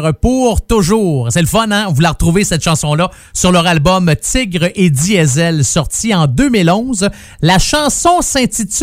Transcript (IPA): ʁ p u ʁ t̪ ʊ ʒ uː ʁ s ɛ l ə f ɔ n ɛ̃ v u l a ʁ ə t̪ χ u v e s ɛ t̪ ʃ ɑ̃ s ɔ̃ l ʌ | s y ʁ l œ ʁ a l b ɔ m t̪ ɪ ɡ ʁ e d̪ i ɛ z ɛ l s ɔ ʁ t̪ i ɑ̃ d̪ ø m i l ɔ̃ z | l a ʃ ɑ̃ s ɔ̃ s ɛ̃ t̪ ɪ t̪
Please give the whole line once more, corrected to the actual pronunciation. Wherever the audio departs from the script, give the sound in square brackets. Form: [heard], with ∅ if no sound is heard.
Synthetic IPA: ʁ p u ʁ t̪ ʊ ʒ uː ʁ s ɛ l ə f ɔ n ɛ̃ v u l a ʁ ə t̪ [ʁ] u v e s ɛ t̪ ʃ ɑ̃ s ɔ̃ l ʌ | s y ʁ l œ ʁ a l b ɔ m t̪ ɪ ɡ ʁ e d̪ i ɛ z ɛ l s ɔ ʁ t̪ i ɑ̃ d̪ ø m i l ɔ̃ z | l a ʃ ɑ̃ s ɔ̃ s ɛ̃ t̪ [i] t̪